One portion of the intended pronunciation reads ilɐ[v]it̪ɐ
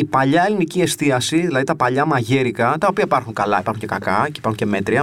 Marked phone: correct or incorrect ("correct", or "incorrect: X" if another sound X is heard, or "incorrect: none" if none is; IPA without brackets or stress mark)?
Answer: incorrect: ð